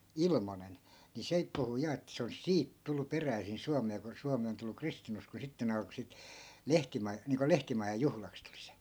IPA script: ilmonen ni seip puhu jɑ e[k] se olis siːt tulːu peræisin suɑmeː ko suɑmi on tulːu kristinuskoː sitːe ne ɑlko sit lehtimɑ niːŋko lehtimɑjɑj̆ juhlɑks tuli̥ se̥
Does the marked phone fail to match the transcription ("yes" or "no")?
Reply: yes